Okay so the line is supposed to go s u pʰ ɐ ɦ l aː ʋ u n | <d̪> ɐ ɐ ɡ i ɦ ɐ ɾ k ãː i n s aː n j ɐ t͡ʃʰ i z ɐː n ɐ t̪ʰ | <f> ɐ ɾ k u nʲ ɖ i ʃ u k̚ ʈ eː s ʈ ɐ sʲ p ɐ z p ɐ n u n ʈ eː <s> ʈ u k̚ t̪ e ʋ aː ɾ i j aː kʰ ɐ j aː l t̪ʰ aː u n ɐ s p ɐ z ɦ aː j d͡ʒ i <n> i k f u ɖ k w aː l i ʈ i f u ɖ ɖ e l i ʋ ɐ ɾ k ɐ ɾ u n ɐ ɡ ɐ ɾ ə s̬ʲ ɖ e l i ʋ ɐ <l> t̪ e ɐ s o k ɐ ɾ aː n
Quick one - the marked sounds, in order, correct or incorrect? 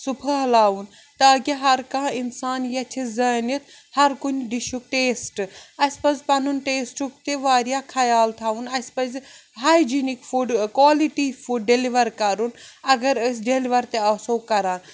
incorrect, incorrect, correct, correct, incorrect

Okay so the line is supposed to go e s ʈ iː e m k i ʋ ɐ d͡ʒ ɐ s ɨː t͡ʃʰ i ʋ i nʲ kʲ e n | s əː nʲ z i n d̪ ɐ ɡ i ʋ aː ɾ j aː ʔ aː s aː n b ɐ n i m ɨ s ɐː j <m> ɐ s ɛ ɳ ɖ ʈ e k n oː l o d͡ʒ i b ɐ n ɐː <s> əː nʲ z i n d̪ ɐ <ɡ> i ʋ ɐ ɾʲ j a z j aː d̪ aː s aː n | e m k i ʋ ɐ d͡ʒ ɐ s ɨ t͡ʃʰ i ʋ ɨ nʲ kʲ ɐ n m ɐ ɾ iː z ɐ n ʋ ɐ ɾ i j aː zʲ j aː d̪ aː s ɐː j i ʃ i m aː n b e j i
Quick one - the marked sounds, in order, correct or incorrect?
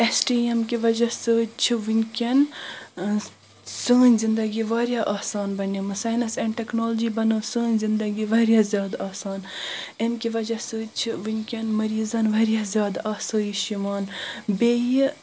incorrect, correct, correct

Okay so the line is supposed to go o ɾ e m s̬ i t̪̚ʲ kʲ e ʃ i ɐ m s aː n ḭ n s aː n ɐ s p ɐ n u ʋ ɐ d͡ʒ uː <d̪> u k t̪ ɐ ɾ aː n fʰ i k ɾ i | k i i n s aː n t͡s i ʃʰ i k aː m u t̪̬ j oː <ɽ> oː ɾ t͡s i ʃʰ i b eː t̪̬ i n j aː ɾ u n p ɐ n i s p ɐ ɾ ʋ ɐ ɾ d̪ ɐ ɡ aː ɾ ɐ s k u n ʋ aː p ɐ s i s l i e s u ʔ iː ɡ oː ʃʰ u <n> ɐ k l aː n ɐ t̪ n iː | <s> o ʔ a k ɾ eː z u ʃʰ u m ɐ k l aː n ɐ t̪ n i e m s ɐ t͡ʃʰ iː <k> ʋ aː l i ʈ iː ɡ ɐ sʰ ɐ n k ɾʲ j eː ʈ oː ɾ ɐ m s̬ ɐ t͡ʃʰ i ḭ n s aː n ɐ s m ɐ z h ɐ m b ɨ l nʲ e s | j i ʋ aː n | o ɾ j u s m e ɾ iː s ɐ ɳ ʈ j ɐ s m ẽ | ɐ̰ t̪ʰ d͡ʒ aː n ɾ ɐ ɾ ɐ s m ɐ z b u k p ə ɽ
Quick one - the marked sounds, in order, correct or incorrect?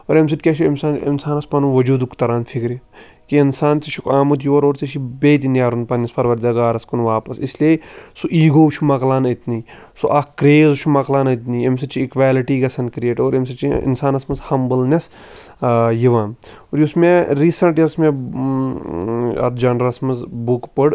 correct, incorrect, incorrect, correct, correct

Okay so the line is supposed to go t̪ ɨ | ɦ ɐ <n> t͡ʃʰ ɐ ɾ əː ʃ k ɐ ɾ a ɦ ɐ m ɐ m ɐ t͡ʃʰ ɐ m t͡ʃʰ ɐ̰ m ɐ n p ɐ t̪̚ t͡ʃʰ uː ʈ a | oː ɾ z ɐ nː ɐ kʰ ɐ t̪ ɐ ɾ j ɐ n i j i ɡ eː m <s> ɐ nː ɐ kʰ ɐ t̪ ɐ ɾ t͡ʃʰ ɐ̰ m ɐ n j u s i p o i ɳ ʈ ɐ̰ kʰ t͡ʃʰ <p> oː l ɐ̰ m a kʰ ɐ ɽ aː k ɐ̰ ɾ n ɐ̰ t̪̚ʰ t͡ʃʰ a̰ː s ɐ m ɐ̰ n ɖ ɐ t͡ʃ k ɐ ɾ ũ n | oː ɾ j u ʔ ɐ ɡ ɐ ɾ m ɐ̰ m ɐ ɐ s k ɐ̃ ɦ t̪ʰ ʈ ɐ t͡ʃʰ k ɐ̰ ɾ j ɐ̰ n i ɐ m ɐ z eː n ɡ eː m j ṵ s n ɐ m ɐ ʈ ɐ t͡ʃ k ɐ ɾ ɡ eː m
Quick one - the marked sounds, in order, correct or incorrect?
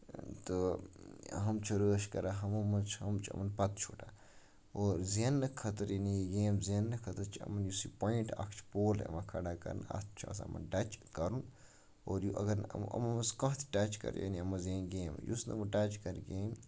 incorrect, incorrect, correct

